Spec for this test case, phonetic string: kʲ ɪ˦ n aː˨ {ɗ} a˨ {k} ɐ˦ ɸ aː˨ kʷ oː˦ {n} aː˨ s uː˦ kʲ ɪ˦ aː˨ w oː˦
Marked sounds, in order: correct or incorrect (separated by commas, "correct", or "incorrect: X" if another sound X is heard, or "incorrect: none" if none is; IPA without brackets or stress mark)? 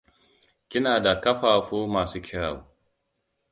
incorrect: d, correct, incorrect: m